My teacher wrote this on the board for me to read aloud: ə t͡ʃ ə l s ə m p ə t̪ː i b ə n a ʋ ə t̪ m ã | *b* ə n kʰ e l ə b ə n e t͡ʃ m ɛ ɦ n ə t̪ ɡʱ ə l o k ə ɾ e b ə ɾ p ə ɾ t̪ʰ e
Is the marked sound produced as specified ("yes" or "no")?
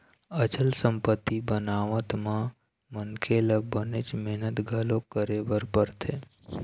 no